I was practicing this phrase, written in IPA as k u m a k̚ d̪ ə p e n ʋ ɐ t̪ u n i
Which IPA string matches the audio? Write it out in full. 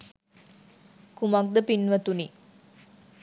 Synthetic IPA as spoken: k u m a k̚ d̪ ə p i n ʋ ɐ t̪ u n i